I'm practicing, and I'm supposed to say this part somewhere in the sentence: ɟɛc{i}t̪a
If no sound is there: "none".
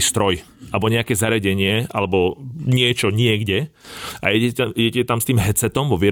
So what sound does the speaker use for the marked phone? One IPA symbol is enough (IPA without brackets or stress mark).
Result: ɛ